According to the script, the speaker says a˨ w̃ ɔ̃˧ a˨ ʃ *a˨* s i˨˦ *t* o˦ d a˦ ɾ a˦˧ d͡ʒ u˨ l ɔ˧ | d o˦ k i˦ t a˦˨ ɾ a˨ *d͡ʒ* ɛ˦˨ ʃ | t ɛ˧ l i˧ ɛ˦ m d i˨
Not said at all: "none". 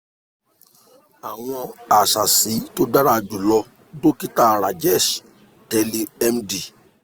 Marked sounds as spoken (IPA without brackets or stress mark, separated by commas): a˨, t, d͡ʒ